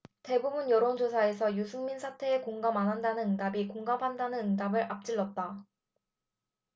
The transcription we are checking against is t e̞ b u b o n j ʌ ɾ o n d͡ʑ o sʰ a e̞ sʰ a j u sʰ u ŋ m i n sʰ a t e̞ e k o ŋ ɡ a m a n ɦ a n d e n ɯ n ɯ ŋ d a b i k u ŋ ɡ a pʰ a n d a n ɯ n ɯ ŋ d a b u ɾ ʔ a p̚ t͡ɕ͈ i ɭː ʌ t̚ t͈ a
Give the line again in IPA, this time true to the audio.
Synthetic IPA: t e̞ b u b u n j ʌ ɾ o n d͡ʑ o sʰ a e̞ sʰ ʌ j u sʰ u ŋ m i n sʰ a tʰ e̞ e k o ŋ ɡ a m a n ɦ a n d a n ɯ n ɯ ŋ d a b i k o ŋ ɡ a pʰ a n d a n ɯ n ɯ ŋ d a b ɯ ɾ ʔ a p̚ t͡ɕ͈ i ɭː ʌ t̚ t͈ a

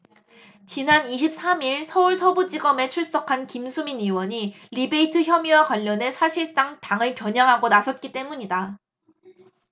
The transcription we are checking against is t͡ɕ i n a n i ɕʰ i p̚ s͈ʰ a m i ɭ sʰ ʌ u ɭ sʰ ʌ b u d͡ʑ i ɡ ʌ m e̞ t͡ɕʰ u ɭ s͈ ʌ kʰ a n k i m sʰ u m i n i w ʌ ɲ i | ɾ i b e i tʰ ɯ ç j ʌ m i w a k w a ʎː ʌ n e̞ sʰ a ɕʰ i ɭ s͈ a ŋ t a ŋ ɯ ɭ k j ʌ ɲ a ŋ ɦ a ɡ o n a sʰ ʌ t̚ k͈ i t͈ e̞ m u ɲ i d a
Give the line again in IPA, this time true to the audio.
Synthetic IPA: t͡ɕ i n a n i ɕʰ i p̚ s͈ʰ a m i ɭ sʰ ʌ u ɭ sʰ ʌ b u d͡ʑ i ɡ ʌ m e̞ t͡ɕʰ u ɭ s͈ ʌ kʰ a n k i m sʰ u m i n i w ʌ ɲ i | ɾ i b e i tʰ ɯ ç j ʌ m i w a k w a ʎː ʌ n e̞ sʰ a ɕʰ i ɭ s͈ a ŋ t a ŋ ɯ ɭ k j ʌ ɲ a ŋ ɦ a ɡ o n a sʰ ʌ t̚ k͈ i t͈ e̞ m u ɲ i d a

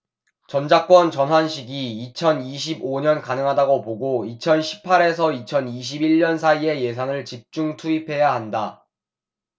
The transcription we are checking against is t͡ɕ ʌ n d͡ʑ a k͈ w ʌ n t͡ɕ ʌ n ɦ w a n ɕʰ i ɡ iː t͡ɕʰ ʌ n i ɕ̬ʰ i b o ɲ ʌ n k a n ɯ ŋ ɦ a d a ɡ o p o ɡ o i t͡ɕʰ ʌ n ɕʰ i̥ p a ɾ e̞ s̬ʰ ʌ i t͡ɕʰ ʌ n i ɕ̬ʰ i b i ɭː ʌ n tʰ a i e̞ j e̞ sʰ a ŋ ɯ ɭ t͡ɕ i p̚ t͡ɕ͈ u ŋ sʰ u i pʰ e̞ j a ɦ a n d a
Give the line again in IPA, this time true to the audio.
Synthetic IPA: t͡ɕ ʌ n d͡ʑ a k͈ w ʌ n t͡ɕ ʌ n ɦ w a n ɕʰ i ɡ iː t͡ɕʰ ʌ n i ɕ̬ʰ i b o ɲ ʌ n k a n ɯ ŋ ɦ a d a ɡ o p o ɡ o i t͡ɕʰ ʌ n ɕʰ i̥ pʰ a ɾ e̞ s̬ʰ ʌ i t͡ɕʰ ʌ n i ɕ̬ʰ i b i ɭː ʌ n sʰ a i e̞ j e̞ sʰ a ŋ ɯ ɭ t͡ɕ i p̚ t͡ɕ͈ u ŋ tʰ u i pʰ e̞ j a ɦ a n d a

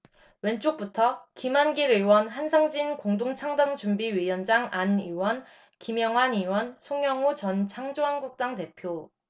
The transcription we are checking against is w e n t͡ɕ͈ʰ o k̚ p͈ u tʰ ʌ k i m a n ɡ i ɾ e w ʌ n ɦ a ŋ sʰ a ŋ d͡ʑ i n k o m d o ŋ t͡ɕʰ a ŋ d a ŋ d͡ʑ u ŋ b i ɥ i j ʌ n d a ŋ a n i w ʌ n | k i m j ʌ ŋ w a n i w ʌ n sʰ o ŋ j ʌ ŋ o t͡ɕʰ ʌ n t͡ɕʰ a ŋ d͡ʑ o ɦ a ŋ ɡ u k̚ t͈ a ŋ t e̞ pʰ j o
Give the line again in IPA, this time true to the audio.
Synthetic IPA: w e n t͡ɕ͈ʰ o k̚ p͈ u tʰ ʌ k i m a n ɡ i ɾ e w ʌ n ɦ a n sʰ a ŋ d͡ʑ i n k o ŋ d o ŋ t͡ɕʰ a ŋ d a ŋ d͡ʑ u m b i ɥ i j ʌ n d͡ʑ a ŋ a n i w ʌ n | k i m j ʌ ŋ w a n i w ʌ n sʰ o ŋ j ʌ ŋ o t͡ɕ ʌ n t͡ɕʰ a ŋ d͡ʑ o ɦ a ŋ ɡ u k̚ t͈ a ŋ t e̞ pʰ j o

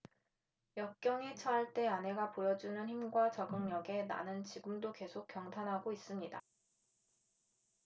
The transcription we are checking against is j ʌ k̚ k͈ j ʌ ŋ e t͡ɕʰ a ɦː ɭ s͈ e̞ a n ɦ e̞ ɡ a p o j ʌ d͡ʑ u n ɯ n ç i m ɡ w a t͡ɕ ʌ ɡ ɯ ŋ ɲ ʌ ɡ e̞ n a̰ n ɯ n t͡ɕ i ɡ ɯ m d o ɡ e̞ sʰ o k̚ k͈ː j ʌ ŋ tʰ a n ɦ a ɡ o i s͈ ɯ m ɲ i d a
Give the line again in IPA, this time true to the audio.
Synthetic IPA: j ʌ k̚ k͈ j ʌ ŋ e t͡ɕʰ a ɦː ɭ t͈ e̞ a n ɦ e̞ ɡ a p o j ʌ d͡ʑ u n ɯ n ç i m ɡ w a t͡ɕ ʌ ɡ ɯ ŋ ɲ ʌ ɡ e̞ n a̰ n ɯ n t͡ɕ i ɡ ɯ m d o k e̞ sʰ o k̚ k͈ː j ʌ ŋ tʰ a n ɦ a ɡ o i s͈ ɯ m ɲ i d a

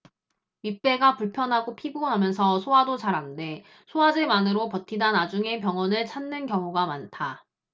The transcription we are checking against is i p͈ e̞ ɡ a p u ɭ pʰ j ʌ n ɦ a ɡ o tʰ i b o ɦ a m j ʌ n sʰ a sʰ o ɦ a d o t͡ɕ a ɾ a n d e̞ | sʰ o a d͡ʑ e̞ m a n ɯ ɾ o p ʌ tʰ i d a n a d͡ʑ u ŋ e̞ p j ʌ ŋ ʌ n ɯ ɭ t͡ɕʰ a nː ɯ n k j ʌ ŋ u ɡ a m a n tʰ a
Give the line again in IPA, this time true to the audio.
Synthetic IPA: i p͈ e̞ ɡ a p u ɭ pʰ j ʌ n ɦ a ɡ o pʰ i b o ɦ a m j ʌ n sʰ ʌ sʰ o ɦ a d o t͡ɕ a ɾ a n d e̞ | sʰ o a d͡ʑ e̞ m a n ɯ ɾ o p ʌ tʰ i d a n a d͡ʑ u ŋ e̞ p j ʌ ŋ ʌ n ɯ ɭ t͡ɕʰ a nː ɯ n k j ʌ ŋ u ɡ a m a n tʰ a

